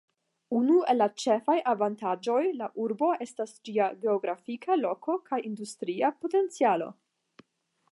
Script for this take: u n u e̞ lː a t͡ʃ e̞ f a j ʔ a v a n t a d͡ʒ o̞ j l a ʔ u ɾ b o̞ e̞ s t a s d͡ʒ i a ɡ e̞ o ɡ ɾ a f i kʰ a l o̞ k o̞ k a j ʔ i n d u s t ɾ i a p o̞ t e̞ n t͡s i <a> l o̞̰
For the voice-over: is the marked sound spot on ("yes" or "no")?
yes